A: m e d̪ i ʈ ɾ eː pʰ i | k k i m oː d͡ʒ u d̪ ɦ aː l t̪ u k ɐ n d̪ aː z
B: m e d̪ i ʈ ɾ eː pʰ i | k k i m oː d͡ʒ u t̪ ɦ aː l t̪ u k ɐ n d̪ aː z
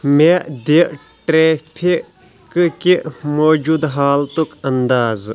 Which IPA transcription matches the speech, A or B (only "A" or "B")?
A